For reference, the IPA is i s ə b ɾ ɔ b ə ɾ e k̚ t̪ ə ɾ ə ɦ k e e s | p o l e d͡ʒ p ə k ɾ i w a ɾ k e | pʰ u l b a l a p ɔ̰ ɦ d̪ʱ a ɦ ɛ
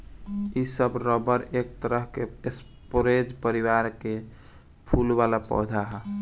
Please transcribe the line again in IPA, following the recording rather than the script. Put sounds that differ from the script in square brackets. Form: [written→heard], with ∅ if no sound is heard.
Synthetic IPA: i s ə b ɾ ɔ b ə ɾ e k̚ t̪ ə ɾ ə ɦ k e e s | p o [l→ɾ] e d͡ʒ p ə [k→∅] ɾ i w a ɾ k e | pʰ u l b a l a p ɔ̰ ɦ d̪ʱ a ɦ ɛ

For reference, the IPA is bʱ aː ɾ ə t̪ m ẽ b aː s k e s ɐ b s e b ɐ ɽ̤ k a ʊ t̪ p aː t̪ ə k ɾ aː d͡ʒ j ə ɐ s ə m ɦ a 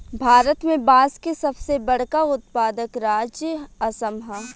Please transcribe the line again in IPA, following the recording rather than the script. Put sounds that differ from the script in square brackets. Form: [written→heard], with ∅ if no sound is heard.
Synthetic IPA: bʱ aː ɾ ə t̪ m ẽ b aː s k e s ɐ b s e b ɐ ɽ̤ k a ʊ t̪ p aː [t̪→d̪] ə k ɾ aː d͡ʒ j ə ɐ s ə m ɦ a

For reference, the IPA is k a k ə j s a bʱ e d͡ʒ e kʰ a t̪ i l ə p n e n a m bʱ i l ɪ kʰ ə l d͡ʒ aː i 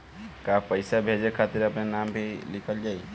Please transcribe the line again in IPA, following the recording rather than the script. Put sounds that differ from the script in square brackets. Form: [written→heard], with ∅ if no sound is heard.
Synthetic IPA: k a [k→p] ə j s a bʱ e d͡ʒ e kʰ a t̪ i [l→ɾ] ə p n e n a m bʱ i l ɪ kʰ ə l d͡ʒ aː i

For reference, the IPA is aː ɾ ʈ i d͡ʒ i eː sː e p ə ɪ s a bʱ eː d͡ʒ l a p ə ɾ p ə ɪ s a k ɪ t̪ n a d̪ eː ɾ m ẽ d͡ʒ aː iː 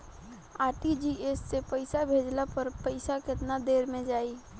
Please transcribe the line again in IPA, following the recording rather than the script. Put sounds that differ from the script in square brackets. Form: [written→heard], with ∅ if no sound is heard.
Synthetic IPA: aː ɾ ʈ i d͡ʒ i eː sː e p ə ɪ s a bʱ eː d͡ʒ l a p ə ɾ p ə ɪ s a k ɪ t̪ n a d̪ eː ɾ m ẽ d͡ʒ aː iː

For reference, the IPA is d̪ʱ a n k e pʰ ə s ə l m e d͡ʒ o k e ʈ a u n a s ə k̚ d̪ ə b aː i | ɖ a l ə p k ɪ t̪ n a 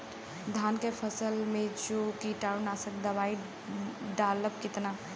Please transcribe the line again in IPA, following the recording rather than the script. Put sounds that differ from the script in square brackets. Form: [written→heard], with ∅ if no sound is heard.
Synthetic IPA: d̪ʱ a n k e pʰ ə s ə l m e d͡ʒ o k [e→i] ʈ a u n a s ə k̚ d̪ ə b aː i | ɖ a l ə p k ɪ t̪ n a

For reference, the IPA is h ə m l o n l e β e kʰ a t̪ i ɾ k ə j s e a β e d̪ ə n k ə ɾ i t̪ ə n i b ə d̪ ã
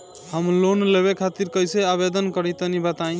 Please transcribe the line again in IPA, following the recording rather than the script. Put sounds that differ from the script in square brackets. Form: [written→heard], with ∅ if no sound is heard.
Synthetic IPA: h ə m l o n l e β e kʰ a t̪ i ɾ k ə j s e a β e d̪ ə n k ə ɾ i t̪ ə n i b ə [d̪→t̪] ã

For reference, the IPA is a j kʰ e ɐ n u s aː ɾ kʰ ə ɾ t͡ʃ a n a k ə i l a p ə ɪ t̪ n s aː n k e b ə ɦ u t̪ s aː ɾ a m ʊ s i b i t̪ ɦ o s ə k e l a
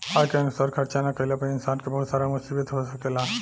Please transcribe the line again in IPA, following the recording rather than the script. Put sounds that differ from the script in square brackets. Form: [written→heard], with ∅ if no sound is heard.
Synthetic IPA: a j [kʰ→k] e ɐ n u s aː ɾ kʰ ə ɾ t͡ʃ a n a k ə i l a p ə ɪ [t̪→∅] n s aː n k e b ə ɦ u t̪ s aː ɾ a m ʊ s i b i t̪ ɦ o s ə k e l a

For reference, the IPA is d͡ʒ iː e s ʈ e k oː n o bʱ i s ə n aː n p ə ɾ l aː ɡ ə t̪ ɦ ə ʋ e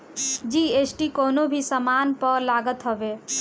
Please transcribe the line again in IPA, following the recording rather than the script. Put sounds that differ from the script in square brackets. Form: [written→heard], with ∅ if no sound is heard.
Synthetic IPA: d͡ʒ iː e s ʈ [e→i] k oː n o bʱ i s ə [n→m] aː n p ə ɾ l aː ɡ ə t̪ ɦ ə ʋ e

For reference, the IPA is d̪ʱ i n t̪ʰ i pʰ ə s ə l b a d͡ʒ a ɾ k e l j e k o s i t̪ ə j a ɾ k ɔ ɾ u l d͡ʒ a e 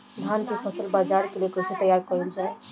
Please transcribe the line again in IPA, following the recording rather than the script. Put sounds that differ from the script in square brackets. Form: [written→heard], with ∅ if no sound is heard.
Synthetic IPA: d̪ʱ [i→a] n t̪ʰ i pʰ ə s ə l b a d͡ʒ a ɾ k e l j e k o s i t̪ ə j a ɾ k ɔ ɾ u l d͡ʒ a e

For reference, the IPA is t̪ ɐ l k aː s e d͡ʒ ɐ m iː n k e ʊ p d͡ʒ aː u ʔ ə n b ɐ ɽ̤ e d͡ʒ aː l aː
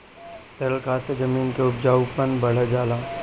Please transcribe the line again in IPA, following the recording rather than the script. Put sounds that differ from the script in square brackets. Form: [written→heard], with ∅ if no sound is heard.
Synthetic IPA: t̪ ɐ l k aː s e d͡ʒ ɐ m iː n k e ʊ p d͡ʒ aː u [ʔ→p] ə n b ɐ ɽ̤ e d͡ʒ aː l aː

